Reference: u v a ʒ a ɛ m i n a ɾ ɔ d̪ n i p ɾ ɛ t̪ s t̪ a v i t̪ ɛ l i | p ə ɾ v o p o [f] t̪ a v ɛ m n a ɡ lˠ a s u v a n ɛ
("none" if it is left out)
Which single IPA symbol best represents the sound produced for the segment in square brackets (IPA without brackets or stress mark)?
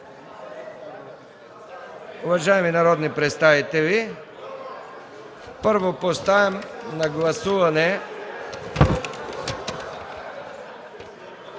s